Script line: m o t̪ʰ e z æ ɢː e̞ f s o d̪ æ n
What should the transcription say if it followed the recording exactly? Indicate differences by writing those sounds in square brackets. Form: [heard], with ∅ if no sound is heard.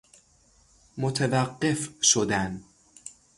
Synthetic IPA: m o t̪ʰ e [v] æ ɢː e̞ f [ʃ] o d̪ æ n